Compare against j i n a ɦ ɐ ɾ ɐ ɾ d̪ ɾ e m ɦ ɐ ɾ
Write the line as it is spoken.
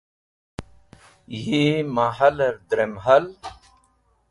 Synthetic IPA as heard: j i m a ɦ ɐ l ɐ ɾ d̪ ɾ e m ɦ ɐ l

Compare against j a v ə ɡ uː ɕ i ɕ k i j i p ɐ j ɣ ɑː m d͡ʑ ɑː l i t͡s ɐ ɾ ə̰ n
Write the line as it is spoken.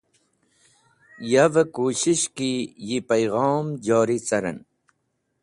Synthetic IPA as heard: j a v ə k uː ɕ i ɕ k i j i p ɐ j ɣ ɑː m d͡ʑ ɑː ɾ i t͡s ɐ ɾ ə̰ n

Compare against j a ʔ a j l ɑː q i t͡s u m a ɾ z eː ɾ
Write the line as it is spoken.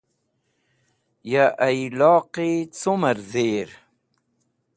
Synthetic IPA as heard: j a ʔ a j l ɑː q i t͡s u m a ɾ z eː ɾ

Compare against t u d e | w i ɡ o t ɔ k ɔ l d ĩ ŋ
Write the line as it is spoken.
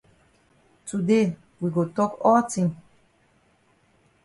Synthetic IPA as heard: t u d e | w i ɡ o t ɔ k ɔ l t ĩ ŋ

